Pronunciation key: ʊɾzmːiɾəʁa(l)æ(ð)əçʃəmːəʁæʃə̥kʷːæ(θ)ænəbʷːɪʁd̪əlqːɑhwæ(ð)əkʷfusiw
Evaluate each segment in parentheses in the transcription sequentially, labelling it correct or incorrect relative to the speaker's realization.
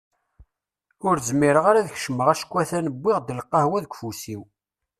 incorrect: ɾ, correct, correct, correct

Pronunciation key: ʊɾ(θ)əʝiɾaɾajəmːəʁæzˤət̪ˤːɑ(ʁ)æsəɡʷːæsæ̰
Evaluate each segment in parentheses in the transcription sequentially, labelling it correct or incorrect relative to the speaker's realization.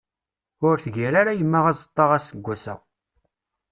correct, correct

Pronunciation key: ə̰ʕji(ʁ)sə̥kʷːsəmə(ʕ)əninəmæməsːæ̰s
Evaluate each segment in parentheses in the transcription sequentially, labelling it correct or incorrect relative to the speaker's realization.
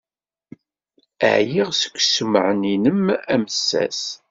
correct, correct

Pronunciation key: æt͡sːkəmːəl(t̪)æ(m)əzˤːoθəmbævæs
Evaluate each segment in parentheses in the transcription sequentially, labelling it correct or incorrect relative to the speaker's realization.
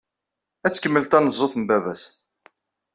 correct, incorrect: n

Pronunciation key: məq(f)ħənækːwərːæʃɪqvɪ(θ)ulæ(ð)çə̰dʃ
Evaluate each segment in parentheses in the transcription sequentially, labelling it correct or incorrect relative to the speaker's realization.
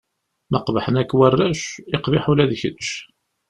incorrect: v, incorrect: ħ, correct

